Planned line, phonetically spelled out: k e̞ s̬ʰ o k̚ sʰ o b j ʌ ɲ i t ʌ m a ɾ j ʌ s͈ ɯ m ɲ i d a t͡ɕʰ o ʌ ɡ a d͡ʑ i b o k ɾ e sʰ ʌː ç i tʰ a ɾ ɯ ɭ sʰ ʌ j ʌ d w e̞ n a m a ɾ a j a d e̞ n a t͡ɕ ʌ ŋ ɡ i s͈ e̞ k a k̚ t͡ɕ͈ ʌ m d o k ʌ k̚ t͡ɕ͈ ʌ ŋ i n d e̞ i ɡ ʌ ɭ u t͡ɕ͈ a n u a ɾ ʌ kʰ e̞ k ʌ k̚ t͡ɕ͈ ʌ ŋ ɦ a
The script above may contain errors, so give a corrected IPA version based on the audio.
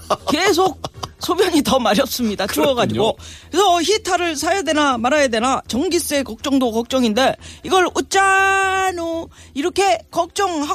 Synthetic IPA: k e̞ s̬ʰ o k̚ sʰ o b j ʌ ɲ i t ʌ m a ɾ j ʌ s͈ ɯ m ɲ i d a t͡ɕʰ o ʌ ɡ a d͡ʑ i ɡ o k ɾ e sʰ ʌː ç i tʰ a ɾ ɯ ɭ sʰ a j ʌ d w e̞ n a m a ɾ a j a d e̞ n a t͡ɕ ʌ ŋ ɡ i s͈ e̞ k ʌ k̚ t͡ɕ͈ ʌ ŋ d o k ʌ k̚ t͡ɕ͈ ʌ ŋ i n d e̞ i ɡ ʌ ɭ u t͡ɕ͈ a n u i ɾ ʌ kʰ e̞ k ʌ k̚ t͡ɕ͈ ʌ ŋ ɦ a